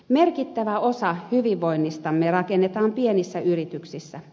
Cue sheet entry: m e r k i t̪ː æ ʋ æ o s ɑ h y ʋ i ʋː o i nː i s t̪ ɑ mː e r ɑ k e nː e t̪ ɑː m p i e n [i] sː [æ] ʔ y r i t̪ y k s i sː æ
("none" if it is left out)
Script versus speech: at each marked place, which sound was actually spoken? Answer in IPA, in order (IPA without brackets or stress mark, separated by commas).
i, æ